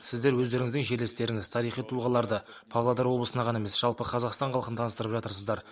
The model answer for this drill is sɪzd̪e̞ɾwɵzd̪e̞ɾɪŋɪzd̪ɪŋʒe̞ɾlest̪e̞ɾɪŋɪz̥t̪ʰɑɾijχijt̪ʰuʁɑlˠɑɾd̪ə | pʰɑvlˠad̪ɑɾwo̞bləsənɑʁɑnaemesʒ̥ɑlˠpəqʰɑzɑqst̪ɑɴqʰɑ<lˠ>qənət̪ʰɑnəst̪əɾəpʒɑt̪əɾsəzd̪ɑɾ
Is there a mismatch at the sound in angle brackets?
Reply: no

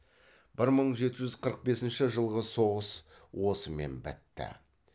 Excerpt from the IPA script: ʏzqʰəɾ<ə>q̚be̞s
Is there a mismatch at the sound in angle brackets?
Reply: no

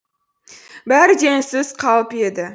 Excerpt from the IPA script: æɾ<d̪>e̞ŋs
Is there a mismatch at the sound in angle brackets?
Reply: no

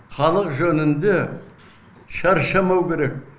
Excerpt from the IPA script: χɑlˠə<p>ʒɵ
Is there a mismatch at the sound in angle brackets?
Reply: yes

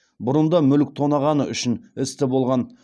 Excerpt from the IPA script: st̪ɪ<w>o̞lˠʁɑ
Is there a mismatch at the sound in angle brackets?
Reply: yes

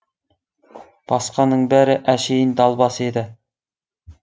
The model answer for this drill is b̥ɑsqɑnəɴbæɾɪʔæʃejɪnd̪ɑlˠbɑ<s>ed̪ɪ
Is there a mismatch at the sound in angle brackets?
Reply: no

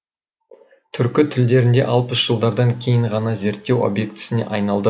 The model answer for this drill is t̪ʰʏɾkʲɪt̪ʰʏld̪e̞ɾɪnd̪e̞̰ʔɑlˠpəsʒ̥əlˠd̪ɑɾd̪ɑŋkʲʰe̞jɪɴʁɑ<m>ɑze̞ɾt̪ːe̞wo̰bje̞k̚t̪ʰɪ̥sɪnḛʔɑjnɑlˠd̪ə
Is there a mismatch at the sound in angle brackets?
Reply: yes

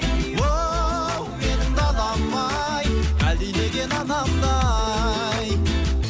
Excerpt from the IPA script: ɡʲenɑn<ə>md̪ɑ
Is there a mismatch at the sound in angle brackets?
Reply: yes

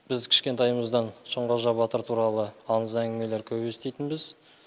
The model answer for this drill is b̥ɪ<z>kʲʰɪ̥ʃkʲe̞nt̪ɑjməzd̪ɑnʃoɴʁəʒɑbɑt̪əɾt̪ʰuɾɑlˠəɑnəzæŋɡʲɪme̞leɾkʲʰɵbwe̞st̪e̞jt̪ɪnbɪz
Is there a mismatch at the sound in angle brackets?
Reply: no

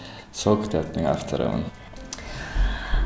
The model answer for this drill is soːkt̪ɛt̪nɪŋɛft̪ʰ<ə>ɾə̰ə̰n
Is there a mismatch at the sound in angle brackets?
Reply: no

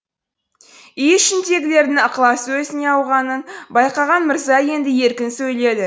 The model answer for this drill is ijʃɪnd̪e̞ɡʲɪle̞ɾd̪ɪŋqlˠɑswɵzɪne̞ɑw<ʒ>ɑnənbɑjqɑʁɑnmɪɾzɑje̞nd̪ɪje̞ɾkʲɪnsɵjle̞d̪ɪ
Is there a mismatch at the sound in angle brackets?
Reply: yes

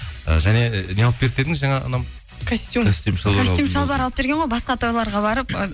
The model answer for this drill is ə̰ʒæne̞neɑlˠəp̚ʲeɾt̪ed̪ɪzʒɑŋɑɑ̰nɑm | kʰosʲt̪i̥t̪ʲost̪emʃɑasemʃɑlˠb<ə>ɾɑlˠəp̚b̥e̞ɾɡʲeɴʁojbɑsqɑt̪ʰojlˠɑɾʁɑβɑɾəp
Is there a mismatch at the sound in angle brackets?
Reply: yes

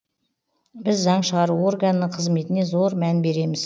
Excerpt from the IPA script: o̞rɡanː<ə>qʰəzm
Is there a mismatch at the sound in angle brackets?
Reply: no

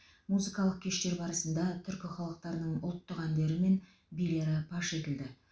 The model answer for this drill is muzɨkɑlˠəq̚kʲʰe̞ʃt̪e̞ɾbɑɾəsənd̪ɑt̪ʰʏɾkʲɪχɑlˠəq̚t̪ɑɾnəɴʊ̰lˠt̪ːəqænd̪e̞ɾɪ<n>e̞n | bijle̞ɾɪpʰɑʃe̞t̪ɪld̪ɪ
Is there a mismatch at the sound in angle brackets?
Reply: yes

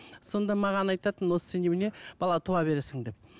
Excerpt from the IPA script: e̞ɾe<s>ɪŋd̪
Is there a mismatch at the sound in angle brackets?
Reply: no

